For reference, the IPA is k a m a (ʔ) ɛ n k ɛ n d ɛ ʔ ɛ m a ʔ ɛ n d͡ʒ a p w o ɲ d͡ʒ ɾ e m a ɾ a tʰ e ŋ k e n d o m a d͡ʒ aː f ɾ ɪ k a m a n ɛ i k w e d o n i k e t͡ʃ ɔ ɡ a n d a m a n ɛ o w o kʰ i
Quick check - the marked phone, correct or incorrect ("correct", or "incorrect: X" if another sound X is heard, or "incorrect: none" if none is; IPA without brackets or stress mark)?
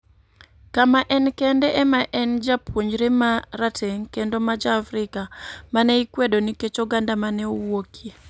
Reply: correct